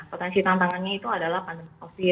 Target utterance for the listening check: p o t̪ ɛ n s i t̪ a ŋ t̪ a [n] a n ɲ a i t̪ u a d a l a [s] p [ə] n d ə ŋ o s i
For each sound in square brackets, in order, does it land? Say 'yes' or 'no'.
no, no, no

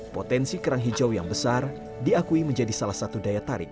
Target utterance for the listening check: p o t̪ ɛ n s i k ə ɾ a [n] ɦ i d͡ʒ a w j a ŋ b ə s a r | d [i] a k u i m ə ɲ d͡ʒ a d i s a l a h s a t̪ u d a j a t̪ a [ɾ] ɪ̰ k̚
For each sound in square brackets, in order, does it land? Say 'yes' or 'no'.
no, yes, yes

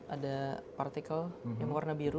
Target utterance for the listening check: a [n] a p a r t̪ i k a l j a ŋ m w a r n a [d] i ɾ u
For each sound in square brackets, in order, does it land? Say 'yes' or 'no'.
no, no

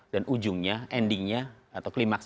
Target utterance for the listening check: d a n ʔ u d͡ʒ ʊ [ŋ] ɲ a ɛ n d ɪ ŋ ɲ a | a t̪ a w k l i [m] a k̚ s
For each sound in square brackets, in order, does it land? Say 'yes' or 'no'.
yes, yes

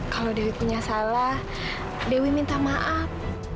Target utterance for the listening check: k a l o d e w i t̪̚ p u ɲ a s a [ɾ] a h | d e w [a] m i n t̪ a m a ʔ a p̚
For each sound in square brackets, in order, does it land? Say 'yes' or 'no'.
no, no

